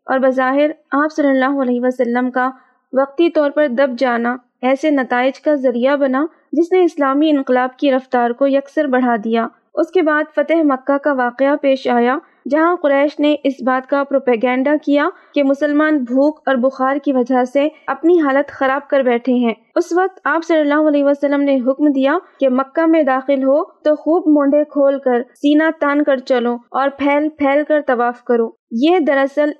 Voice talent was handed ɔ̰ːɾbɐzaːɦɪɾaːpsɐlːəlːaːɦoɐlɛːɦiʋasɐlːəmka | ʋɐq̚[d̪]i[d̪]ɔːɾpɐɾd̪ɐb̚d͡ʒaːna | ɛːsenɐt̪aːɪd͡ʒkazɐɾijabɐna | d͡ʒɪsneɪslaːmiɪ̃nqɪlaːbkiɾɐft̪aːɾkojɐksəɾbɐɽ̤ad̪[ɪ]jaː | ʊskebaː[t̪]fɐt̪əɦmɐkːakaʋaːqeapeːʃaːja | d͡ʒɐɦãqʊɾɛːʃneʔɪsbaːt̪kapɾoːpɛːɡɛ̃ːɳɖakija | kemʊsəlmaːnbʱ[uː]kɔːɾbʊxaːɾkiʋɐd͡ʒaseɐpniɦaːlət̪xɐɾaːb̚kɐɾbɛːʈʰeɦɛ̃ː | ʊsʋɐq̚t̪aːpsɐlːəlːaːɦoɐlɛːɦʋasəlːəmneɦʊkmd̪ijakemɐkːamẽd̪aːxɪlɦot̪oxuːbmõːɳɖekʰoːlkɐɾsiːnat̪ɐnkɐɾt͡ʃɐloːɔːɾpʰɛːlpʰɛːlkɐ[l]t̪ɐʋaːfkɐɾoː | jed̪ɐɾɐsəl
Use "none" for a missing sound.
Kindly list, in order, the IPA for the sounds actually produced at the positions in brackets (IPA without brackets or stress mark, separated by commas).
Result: t̪, t̪, i, d̪, uː, ɾ